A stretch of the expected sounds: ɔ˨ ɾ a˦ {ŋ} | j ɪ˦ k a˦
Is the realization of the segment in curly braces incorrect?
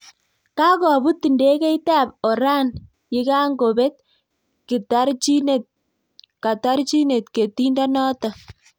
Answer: yes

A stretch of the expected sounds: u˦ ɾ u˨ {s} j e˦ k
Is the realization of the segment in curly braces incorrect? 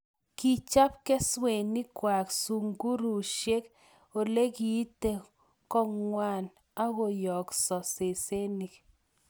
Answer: yes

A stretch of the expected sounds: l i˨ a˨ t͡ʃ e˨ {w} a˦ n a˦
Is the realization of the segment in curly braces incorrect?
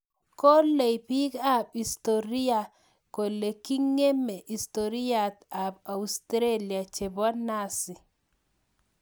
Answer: yes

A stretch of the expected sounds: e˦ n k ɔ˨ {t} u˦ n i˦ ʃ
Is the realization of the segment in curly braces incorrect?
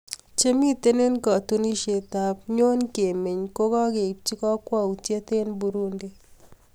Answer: no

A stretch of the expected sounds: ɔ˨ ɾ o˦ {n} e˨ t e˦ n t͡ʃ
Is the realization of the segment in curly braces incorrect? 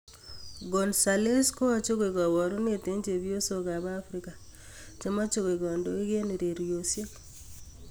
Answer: no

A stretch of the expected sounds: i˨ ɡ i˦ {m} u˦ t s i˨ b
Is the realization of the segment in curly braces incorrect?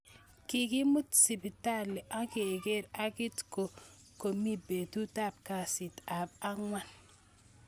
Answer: no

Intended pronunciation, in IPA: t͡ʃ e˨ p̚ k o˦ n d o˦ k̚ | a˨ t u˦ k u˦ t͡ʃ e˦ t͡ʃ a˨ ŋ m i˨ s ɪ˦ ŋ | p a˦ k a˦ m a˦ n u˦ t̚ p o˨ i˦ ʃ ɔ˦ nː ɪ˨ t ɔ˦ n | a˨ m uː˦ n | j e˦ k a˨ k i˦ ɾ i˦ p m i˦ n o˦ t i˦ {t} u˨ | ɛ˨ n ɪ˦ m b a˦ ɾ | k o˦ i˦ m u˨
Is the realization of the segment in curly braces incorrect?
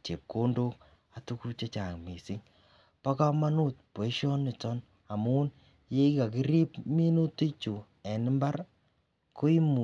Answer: yes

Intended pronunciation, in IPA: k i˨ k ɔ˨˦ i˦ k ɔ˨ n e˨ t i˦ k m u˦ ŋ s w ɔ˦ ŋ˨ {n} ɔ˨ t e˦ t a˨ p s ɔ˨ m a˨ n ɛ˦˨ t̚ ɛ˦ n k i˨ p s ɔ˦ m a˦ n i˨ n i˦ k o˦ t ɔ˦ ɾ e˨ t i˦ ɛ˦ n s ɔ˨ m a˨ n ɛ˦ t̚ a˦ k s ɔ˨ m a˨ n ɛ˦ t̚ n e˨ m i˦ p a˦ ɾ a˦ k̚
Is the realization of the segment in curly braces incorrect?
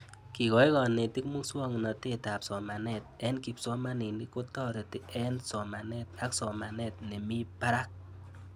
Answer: no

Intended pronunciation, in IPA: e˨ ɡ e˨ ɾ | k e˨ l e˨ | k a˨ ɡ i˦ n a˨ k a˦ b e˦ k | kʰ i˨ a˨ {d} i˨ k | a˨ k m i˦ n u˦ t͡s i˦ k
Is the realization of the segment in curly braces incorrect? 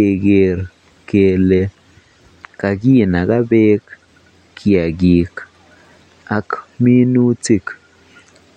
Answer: yes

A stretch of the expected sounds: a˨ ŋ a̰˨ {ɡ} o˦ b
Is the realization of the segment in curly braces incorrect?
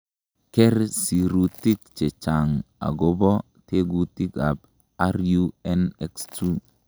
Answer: no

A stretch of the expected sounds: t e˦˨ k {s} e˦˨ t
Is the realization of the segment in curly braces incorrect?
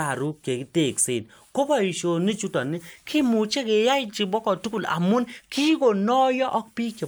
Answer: no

